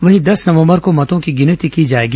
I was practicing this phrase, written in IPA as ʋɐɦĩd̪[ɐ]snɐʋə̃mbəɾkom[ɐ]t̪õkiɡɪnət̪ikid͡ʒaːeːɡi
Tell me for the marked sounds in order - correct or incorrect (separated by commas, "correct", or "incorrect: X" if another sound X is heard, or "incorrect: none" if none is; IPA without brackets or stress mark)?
correct, correct